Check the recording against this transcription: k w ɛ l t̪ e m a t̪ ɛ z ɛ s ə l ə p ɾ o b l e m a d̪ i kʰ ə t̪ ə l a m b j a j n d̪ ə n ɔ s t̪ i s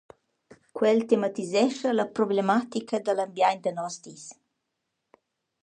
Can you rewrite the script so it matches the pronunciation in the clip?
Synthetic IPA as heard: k w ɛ l t̪ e m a t̪ i z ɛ ʃ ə l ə p ɾ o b l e m a t̪ i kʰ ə d̪ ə l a m b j a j n d̪ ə n ɔ s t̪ i s